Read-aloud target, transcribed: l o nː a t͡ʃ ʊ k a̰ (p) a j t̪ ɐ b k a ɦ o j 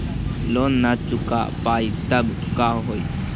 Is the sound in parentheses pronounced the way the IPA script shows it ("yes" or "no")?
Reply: yes